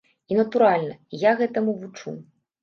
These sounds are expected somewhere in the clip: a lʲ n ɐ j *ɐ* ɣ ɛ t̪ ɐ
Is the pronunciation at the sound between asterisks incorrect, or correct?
incorrect